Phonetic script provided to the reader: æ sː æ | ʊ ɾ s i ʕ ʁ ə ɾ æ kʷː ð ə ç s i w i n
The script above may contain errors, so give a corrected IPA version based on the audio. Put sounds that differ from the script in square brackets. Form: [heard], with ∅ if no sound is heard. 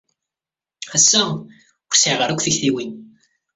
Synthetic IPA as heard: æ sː æ | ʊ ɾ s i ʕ ʁ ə ɾ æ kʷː [θ] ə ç [θ] i w i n